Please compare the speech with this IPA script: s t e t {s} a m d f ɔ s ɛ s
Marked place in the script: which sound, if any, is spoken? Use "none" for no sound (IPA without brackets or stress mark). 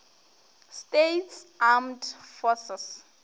s